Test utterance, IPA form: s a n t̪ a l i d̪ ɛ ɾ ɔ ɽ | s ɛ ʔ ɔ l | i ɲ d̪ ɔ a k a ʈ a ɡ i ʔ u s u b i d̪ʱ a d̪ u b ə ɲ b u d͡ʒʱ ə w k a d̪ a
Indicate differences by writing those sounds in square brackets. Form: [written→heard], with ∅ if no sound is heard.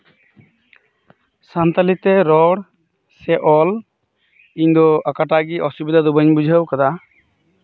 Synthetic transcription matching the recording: s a n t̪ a l i [d̪→t̪] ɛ ɾ ɔ ɽ | s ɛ ʔ ɔ l | i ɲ d̪ ɔ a k a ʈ a ɡ i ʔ [u→ɔ] s u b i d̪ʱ a d̪ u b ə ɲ b u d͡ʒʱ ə w k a d̪ a